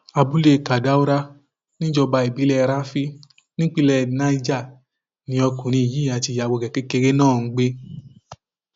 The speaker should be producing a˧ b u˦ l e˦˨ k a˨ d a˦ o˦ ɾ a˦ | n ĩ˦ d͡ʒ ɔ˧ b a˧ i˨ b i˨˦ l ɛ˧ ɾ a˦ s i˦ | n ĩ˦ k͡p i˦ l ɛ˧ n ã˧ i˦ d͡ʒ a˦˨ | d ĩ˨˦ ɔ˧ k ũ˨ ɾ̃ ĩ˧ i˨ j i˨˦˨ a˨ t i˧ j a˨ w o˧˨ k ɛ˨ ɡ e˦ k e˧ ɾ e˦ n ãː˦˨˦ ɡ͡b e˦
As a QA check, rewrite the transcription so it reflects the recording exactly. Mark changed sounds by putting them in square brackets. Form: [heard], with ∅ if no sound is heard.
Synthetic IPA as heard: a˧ b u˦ l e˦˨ k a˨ d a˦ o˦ ɾ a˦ | n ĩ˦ d͡ʒ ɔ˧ b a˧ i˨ b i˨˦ l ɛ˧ ɾ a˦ [f] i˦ | n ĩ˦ k͡p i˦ l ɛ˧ n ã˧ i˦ d͡ʒ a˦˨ | [n] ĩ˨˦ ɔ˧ k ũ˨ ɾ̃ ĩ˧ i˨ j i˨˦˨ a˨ t i˧ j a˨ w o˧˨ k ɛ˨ [k] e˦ k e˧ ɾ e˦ n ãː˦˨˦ ɡ͡b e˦